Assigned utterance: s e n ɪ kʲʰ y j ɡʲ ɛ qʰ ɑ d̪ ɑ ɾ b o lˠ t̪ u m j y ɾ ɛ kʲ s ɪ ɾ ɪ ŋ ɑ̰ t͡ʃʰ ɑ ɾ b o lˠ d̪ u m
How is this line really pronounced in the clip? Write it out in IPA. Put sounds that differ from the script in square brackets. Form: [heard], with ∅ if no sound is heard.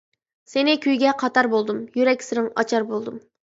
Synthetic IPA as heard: s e n ɪ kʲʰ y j ɡʲ ɛ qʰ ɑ [t̪] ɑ ɾ b o lˠ [d̪] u m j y ɾ ɛ kʲ s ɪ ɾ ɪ ŋ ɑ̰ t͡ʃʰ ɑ ɾ b o lˠ d̪ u m